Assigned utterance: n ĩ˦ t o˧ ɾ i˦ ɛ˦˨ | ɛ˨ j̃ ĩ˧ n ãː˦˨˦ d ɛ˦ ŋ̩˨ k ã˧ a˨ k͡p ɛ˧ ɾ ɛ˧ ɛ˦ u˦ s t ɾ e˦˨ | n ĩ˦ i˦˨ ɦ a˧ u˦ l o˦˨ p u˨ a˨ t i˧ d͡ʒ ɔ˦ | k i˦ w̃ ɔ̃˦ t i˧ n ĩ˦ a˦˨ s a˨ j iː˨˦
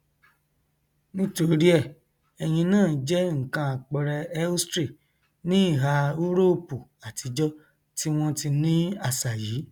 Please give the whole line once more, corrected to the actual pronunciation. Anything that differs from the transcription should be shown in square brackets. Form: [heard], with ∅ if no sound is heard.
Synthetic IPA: n ĩ˦ t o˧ ɾ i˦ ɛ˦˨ | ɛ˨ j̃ ĩ˧ n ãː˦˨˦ [d͡ʒ] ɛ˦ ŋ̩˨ k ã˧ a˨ k͡p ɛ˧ ɾ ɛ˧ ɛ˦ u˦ s t ɾ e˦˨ | n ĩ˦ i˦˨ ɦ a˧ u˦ [ɾ] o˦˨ p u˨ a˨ t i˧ d͡ʒ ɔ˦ | [t] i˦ w̃ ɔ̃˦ t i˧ n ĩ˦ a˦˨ s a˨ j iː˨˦